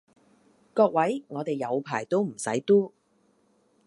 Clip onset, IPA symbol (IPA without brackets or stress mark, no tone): k